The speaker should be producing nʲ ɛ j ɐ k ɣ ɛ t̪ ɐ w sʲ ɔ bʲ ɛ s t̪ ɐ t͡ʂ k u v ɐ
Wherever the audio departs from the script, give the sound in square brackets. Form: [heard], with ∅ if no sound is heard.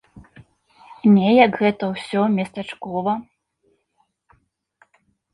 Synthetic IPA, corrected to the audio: nʲ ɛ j ɐ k ɣ ɛ t̪ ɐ w sʲ ɔ [mʲ] ɛ s t̪ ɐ t͡ʂ k [ɔ] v ɐ